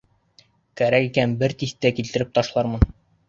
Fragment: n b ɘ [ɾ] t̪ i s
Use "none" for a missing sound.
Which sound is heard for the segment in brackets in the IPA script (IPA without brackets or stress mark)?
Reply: ɾ